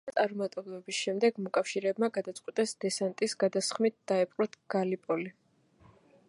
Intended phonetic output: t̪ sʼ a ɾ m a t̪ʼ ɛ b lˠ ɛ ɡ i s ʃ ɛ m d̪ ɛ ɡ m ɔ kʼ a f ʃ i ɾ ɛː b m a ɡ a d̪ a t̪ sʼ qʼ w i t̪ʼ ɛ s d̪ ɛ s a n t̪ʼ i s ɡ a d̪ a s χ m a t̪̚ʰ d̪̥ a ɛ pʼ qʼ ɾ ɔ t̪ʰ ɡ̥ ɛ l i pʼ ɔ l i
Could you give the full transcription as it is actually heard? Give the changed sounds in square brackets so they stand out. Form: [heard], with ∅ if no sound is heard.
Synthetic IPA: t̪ sʼ a ɾ m a t̪ʼ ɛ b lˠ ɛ [b] i s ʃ ɛ m d̪ ɛ ɡ m ɔ kʼ a f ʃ i ɾ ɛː b m a ɡ a d̪ a t̪ sʼ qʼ w i t̪ʼ ɛ s d̪ ɛ s a n t̪ʼ i s ɡ a d̪ a s χ m [i] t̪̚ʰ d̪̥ a ɛ pʼ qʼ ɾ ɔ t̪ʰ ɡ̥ [a] l i pʼ ɔ l i